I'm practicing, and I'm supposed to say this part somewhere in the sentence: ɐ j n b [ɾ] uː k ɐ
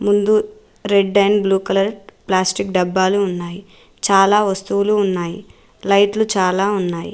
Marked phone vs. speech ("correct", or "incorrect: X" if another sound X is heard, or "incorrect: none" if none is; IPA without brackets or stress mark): incorrect: l